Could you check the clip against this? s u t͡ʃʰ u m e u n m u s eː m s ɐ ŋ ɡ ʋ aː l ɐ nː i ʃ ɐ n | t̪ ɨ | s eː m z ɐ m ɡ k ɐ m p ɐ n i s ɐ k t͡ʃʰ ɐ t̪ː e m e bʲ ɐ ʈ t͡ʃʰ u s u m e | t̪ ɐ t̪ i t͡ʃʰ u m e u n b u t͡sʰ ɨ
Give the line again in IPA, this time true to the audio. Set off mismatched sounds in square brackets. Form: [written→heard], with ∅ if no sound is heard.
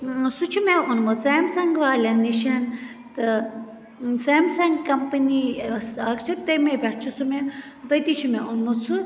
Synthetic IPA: s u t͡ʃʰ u m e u n m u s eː m s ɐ ŋ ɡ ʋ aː l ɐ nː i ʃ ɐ n | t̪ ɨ | s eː m [z→s] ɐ [m→ŋ] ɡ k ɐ m p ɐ n i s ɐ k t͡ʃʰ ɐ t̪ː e m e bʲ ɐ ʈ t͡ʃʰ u s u m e | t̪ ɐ t̪ i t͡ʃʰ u m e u n [b→m] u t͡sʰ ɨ